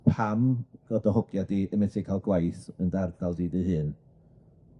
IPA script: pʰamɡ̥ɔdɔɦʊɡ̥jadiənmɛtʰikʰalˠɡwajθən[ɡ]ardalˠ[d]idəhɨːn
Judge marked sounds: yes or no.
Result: no, yes

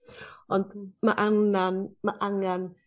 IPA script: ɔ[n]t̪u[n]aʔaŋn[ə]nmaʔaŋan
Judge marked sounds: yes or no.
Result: yes, no, no

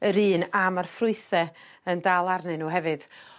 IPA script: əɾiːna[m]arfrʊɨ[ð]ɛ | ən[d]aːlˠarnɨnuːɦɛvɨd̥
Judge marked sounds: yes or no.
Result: yes, no, yes

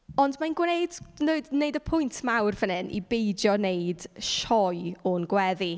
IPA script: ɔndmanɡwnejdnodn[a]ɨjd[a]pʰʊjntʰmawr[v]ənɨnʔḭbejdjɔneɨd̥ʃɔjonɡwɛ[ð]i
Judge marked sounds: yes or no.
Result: no, no, yes, yes

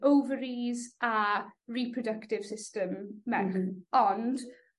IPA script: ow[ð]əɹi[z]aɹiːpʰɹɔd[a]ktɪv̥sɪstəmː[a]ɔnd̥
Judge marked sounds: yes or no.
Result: no, yes, no, no

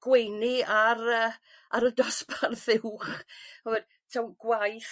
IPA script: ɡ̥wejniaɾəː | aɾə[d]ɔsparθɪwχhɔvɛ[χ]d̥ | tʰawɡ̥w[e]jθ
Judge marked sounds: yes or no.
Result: yes, no, no

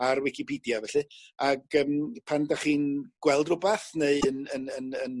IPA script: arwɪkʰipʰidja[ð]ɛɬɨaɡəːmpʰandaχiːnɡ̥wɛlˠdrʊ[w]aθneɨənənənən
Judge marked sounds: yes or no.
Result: no, no

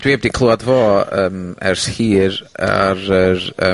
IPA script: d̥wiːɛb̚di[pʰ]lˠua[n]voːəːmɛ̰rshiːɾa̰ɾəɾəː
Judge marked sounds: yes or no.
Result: no, no

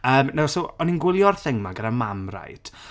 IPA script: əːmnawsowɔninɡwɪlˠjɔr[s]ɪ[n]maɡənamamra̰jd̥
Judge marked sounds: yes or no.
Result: no, no

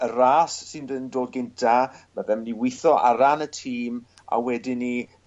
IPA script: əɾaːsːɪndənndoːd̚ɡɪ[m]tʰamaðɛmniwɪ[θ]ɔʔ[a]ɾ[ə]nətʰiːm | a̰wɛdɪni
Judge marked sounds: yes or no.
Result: no, yes, yes, no

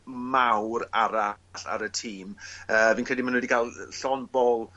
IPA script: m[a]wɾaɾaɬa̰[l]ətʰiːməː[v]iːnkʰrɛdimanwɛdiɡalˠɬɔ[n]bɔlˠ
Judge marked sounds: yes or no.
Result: yes, no, yes, yes

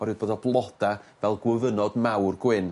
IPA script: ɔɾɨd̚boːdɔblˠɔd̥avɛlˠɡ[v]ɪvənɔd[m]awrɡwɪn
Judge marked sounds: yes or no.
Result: no, yes

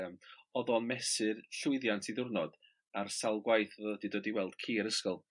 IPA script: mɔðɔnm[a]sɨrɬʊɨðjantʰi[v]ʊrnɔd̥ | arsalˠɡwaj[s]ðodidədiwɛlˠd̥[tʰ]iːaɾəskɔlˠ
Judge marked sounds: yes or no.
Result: no, no, no, no

